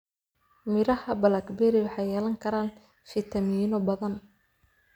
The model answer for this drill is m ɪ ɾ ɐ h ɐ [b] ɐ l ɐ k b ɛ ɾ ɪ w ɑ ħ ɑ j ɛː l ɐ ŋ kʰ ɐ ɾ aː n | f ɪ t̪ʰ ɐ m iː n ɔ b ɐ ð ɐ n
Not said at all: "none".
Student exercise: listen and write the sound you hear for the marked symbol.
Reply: b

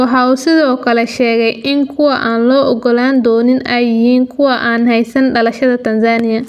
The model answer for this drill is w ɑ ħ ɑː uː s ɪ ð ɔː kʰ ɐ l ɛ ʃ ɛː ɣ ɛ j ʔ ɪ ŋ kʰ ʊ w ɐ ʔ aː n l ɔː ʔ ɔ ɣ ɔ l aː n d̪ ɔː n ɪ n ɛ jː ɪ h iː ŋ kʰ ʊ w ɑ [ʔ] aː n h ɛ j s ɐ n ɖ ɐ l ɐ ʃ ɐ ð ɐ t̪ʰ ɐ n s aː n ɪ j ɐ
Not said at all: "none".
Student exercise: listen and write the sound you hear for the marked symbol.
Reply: ʔ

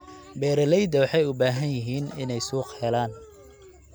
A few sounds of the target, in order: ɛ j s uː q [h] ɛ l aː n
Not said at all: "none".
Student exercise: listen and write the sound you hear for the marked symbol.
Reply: h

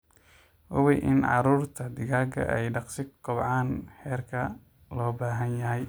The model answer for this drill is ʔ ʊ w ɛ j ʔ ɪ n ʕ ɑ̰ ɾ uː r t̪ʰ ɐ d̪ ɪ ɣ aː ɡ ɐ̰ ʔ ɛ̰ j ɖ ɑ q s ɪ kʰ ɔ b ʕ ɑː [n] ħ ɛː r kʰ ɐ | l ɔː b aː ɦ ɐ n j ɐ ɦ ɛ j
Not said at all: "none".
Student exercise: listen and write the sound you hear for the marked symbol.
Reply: n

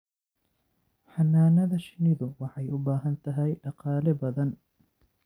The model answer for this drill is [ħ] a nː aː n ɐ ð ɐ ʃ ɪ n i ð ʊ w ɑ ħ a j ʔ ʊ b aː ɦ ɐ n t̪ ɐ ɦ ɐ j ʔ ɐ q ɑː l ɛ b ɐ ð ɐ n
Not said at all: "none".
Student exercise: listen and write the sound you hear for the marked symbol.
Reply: ħ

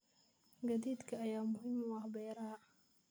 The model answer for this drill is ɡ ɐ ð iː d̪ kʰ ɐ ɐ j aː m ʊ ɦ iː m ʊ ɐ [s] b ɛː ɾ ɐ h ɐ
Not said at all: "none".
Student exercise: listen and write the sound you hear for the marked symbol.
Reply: h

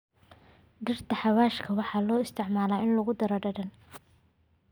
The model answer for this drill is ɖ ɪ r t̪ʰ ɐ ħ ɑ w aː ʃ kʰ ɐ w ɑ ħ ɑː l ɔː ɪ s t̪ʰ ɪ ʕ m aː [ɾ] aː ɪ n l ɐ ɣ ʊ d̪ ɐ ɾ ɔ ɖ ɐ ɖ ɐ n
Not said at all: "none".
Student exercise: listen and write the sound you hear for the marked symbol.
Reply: l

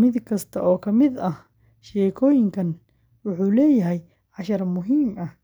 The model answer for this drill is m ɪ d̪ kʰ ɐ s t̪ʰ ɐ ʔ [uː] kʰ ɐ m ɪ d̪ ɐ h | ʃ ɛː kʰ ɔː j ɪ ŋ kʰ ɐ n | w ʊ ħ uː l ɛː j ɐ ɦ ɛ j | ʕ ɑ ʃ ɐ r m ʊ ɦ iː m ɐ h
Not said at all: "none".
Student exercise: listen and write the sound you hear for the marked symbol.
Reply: ɔː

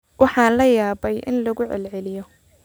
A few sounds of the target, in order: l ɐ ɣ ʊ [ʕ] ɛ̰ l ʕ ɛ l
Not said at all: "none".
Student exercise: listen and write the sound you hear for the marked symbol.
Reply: ʕ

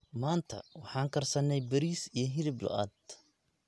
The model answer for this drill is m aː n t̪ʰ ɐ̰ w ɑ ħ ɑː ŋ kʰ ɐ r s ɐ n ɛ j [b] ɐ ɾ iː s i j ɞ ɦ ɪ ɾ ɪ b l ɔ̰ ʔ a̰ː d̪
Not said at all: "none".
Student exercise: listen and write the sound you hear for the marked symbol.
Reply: b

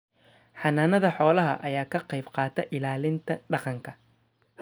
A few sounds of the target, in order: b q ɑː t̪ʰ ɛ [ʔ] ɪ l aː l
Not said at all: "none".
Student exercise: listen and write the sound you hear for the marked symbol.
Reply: ʔ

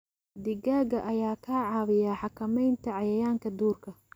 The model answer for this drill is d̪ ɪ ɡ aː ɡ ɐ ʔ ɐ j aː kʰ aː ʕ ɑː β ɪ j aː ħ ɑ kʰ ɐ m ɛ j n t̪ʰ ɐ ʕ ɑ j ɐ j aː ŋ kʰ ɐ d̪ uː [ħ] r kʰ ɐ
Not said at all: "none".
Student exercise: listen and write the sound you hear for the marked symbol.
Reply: none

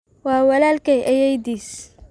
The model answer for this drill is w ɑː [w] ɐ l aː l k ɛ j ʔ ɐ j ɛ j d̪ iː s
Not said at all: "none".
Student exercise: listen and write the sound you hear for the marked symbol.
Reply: w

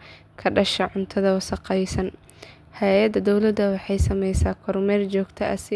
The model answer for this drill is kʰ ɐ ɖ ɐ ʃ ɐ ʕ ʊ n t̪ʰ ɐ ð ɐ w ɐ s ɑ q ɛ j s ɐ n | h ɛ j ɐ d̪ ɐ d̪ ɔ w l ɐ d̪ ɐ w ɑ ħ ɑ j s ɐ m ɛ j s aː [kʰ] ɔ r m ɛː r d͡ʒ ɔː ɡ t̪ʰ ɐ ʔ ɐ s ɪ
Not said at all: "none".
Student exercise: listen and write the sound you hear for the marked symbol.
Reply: kʰ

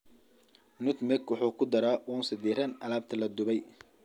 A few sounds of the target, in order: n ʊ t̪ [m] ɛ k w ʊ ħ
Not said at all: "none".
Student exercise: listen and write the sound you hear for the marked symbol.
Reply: m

